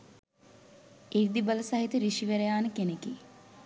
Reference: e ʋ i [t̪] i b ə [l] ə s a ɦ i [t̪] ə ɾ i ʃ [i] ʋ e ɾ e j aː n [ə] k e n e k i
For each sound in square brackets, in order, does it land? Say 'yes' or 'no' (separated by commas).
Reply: no, yes, yes, yes, yes